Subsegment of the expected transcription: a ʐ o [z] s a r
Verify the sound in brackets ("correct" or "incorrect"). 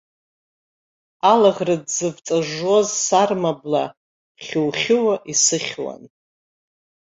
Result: correct